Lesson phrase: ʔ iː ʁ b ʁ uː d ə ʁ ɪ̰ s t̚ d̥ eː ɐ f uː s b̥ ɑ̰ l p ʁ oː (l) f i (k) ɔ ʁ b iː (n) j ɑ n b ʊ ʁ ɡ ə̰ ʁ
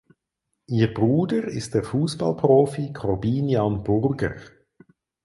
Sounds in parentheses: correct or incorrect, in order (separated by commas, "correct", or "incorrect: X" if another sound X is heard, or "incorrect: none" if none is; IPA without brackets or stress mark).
incorrect: none, incorrect: kʰ, correct